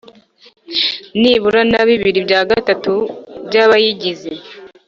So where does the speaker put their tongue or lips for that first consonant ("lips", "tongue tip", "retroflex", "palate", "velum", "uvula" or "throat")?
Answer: tongue tip